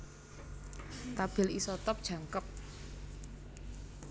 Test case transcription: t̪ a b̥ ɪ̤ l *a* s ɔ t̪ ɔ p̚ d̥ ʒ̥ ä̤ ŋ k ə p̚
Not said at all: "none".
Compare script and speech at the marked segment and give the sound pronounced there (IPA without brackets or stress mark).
i